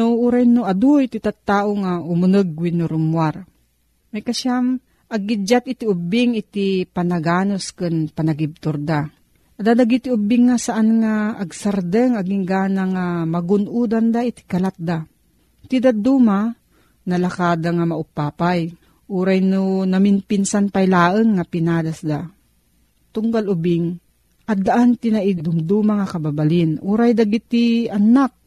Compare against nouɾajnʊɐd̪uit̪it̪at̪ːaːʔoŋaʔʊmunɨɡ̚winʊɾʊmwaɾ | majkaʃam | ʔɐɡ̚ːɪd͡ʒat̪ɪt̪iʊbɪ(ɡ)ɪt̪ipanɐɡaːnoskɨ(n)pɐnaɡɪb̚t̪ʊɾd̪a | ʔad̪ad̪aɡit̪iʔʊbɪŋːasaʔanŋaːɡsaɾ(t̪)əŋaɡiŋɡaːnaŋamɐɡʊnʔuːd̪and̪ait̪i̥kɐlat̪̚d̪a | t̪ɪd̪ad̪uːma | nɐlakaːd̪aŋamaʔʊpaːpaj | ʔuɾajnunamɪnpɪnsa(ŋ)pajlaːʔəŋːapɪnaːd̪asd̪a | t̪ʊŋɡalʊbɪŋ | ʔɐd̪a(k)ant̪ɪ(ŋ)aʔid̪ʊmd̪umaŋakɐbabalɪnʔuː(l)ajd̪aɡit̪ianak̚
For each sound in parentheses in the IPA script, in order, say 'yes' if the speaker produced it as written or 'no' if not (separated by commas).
no, yes, no, no, no, no, no